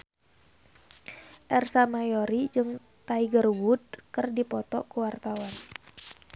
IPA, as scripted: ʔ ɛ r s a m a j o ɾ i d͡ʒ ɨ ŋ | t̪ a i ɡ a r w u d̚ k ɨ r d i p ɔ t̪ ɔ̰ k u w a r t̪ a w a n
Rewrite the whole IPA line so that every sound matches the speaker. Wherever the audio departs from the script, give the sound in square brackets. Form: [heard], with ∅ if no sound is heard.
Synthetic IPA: ʔ ɛ r s a m a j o ɾ i d͡ʒ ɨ ŋ | t̪ a i ɡ [ə] r w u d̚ k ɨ r d i p ɔ t̪ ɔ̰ k u w a r t̪ a w a n

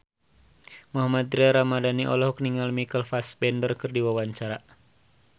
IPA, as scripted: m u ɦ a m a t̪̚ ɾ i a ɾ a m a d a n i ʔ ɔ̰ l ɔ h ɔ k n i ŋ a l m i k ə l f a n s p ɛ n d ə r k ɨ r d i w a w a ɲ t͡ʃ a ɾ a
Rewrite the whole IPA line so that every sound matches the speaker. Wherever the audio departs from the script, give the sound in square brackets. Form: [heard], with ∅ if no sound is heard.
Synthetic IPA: m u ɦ a m a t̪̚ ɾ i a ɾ a m a d a n i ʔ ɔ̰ l ɔ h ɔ k n i ŋ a l m i k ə l f a [∅] s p ɛ n d ə r k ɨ r d i w a w a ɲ t͡ʃ a ɾ a

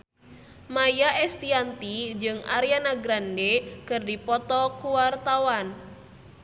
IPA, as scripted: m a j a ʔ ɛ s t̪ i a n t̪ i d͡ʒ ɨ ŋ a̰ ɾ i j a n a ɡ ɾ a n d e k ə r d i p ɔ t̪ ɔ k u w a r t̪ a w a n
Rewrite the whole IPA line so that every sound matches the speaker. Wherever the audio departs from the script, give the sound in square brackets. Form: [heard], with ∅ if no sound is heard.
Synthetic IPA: m a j a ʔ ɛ s t̪ i a n t̪ i d͡ʒ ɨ ŋ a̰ ɾ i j a n a ɡ ɾ a n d e k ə r d i p ɔ t̪ ɔ k u w a r t̪ a w a n

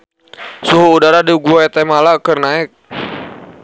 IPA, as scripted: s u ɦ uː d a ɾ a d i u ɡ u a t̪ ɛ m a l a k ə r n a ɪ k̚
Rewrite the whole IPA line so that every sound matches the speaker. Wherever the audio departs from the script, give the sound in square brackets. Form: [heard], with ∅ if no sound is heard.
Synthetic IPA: s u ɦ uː d a ɾ a d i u ɡ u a t̪ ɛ m a l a k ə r n a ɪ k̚

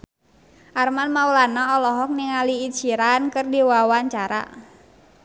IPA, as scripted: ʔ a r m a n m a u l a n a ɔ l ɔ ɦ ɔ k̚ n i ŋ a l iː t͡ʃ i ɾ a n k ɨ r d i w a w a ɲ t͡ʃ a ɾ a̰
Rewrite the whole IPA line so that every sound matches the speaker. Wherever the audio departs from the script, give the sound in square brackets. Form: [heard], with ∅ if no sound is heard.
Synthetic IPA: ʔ a r m a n m a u l a n a ɔ l ɔ ɦ ɔ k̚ n i ŋ a l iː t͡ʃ i ɾ a n k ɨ r d i w a w a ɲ t͡ʃ a ɾ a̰

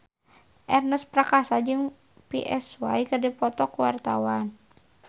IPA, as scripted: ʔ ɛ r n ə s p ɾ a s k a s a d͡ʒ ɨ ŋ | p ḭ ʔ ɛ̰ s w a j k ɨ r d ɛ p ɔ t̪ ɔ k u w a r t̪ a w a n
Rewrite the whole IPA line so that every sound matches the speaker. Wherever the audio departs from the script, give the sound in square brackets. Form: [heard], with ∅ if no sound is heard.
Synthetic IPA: ʔ ɛ r n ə s p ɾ a [∅] k a s a d͡ʒ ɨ ŋ | p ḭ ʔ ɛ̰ s w a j k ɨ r d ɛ p ɔ t̪ ɔ k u w a r t̪ a w a n

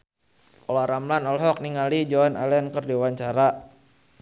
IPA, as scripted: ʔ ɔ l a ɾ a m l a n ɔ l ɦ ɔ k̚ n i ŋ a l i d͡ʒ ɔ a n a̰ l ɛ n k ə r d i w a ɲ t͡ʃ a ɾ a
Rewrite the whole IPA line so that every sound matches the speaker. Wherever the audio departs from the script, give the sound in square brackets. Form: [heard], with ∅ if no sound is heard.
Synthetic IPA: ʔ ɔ l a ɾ a m l a n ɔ l ɦ ɔ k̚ n i ŋ a l i d͡ʒ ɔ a n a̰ l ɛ n k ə r d i w a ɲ t͡ʃ a ɾ a

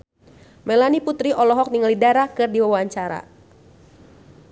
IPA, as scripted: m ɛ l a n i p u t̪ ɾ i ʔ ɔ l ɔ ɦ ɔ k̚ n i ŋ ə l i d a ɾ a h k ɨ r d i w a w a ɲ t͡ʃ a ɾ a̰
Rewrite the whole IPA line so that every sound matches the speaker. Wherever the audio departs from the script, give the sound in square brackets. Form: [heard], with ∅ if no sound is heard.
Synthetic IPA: m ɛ l a n i p u t̪ ɾ i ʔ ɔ l ɔ ɦ ɔ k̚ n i ŋ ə l i d a ɾ a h k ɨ r d i w a w a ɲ t͡ʃ a ɾ a̰

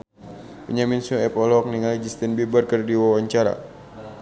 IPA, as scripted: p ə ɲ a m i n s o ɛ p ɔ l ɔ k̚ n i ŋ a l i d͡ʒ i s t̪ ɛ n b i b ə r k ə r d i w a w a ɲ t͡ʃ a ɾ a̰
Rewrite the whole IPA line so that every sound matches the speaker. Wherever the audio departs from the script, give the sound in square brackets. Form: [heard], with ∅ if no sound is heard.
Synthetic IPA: p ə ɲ a m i n s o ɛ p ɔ l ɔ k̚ n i ŋ a l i d͡ʒ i s t̪ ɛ n b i b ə r k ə r d i w a w a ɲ t͡ʃ a ɾ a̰

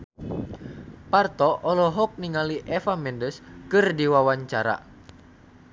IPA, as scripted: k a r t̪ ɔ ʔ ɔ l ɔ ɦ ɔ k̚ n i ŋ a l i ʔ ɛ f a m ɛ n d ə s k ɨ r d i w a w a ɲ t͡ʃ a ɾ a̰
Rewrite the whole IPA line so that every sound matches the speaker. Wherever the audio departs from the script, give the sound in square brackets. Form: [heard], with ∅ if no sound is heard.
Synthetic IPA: [p] a r t̪ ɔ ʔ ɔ l ɔ ɦ ɔ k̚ n i ŋ a l i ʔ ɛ f a m ɛ n d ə s k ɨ r d i w a w a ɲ t͡ʃ a ɾ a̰

